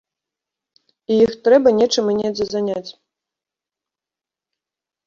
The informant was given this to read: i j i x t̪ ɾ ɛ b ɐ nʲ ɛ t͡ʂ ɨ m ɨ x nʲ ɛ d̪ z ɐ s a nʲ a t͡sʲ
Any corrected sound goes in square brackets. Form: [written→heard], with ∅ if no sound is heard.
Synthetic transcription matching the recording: i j i x t̪ ɾ ɛ b ɐ nʲ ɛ t͡ʂ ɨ m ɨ [x→∅] nʲ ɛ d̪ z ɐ [s→z] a nʲ a t͡sʲ